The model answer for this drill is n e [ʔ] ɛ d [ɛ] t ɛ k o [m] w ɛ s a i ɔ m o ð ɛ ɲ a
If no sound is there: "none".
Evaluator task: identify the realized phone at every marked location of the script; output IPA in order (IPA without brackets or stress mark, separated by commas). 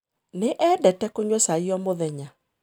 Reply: ʔ, ɛ, ɲ